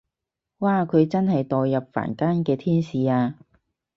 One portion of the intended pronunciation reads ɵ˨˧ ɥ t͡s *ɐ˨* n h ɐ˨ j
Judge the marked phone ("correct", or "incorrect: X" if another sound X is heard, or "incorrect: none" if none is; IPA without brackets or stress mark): incorrect: ɐ˥